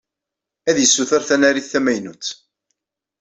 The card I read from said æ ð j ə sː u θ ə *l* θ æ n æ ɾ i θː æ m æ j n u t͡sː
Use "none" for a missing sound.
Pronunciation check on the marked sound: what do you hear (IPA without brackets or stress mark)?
ɾ